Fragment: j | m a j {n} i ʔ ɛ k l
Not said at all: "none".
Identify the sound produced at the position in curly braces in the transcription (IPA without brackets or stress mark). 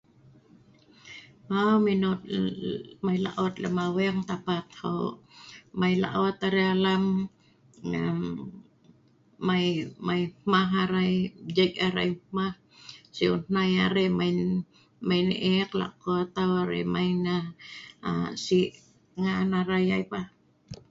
n